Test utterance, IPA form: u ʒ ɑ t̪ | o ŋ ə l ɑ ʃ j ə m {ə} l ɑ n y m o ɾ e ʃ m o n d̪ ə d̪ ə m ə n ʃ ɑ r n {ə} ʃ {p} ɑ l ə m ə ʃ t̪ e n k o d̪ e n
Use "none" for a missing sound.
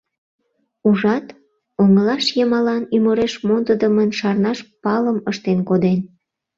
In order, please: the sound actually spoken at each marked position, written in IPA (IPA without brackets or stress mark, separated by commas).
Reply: ɑ, ɑ, p